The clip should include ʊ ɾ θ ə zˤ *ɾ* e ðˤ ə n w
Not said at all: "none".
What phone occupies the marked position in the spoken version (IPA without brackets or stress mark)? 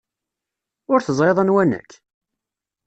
ɾ